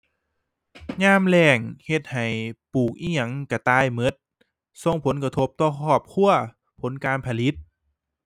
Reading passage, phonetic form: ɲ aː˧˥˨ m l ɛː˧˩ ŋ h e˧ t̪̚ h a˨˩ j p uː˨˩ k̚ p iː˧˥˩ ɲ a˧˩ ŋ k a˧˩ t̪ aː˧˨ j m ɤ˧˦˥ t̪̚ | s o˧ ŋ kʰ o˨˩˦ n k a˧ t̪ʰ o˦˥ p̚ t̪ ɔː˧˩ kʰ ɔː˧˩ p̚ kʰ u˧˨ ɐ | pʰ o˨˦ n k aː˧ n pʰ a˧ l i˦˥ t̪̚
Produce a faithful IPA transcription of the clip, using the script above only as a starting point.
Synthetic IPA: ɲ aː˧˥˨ m l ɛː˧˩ ŋ h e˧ t̪̚ h a˨˩ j p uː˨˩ k̚ ʔ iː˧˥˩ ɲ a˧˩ ŋ k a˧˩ t̪ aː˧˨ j m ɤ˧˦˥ t̪̚ | s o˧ ŋ pʰ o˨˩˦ n k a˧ t̪ʰ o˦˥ p̚ t̪ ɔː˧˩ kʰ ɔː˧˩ p̚ kʰ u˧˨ ɐ | pʰ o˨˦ n k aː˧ n pʰ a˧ l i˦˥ t̪̚

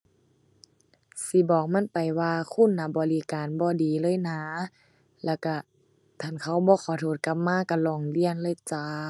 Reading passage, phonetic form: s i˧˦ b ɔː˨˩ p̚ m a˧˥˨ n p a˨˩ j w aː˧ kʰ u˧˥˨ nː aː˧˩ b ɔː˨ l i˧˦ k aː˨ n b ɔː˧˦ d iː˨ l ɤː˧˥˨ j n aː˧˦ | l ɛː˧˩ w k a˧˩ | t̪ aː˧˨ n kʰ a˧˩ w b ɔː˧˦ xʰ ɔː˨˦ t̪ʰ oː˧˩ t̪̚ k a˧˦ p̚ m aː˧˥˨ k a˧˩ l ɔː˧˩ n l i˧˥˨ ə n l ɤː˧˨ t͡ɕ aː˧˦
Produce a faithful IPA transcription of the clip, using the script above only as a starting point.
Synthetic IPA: s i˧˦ b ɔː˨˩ k̚ m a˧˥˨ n p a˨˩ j w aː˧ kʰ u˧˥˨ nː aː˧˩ b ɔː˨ l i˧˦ k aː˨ n b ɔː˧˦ d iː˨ l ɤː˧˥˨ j n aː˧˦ | l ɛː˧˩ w k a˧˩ | t̪ʰ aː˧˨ n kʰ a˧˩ w b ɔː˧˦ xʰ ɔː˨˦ t̪ʰ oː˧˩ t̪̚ k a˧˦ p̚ m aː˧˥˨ k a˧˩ l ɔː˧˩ ŋ l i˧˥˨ ə n l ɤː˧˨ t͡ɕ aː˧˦

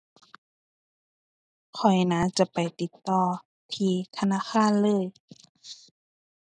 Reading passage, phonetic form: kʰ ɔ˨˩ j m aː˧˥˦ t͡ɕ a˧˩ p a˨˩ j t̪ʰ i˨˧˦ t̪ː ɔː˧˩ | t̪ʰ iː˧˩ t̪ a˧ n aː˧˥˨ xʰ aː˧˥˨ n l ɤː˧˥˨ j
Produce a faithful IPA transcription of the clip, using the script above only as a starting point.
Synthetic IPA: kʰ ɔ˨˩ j n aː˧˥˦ t͡ɕ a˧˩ p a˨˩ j t̪ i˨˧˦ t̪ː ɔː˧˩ | t̪ʰ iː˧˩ t̪ʰ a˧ n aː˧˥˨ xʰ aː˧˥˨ n l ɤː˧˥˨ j

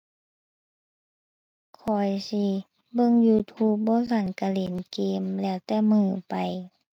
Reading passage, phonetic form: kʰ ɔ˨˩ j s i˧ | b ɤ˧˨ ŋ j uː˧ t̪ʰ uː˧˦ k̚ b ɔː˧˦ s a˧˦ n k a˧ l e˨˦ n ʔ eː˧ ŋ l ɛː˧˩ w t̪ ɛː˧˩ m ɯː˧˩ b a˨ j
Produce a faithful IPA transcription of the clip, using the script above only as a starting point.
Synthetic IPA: kʰ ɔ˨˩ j s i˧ | b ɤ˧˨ ŋ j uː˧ t̪ʰ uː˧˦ p̚ b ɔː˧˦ s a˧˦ n k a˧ l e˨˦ n k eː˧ m l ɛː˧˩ w t̪ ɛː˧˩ m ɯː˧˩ p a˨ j

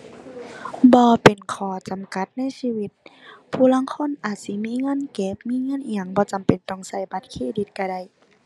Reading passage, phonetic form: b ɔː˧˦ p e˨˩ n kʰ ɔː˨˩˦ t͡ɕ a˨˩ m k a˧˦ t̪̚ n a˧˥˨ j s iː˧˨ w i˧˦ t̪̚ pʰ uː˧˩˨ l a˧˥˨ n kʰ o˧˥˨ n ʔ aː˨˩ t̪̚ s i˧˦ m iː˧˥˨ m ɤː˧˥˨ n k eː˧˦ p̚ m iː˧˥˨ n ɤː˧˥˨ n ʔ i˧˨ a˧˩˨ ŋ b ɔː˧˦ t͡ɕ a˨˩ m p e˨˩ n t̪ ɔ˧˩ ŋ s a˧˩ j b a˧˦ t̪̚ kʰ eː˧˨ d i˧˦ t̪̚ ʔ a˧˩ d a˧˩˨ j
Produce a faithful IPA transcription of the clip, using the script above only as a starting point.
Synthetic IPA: b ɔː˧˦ p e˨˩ n kʰ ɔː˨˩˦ t͡ɕ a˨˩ m k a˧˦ t̪̚ n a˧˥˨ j s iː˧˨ w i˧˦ t̪̚ pʰ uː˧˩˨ l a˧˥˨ ŋ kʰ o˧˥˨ n ʔ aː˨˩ t̪̚ s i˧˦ m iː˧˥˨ ŋ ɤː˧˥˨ n k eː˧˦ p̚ m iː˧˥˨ ŋ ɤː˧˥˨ n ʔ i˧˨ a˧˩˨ ŋ b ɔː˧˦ t͡ɕ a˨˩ m p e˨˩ n t̪ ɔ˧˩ ŋ s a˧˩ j b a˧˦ t̪̚ kʰ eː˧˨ d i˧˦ t̪̚ k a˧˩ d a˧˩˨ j

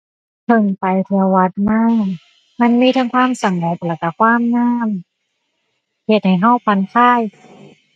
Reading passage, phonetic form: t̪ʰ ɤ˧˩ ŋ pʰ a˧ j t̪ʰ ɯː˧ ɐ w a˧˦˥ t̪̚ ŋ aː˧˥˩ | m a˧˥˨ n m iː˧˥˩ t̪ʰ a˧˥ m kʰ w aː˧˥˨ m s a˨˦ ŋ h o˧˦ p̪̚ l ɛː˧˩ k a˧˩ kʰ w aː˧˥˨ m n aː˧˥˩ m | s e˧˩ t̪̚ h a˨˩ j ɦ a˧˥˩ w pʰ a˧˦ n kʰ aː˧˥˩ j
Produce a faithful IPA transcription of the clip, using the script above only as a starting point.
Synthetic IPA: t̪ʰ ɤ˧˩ ŋ p a˧ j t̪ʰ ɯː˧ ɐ w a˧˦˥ t̪̚ m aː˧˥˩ | m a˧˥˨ n m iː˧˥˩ t̪ʰ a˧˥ ŋ kʰ w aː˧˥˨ m s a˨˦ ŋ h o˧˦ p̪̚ l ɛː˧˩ k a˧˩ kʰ w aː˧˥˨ m n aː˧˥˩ m | h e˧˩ t̪̚ h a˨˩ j ɦ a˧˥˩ w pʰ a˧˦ n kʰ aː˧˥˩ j

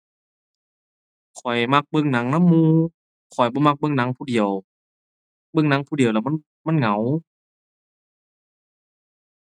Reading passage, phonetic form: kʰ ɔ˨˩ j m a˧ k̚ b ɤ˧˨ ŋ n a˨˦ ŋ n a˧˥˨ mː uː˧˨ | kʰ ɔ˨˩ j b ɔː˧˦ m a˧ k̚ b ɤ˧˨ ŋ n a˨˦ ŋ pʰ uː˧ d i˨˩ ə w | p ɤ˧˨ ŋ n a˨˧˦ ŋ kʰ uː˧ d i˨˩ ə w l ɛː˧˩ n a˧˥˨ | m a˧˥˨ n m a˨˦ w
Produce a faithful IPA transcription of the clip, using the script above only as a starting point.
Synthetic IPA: kʰ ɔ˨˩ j m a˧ k̚ b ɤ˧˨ ŋ n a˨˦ ŋ n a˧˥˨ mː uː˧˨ | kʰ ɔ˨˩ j b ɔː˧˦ m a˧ k̚ b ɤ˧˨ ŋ n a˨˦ ŋ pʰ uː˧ d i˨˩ ə w | b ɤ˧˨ ŋ n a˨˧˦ ŋ pʰ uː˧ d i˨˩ ə w l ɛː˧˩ m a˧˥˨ | m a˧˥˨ n ŋ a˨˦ w

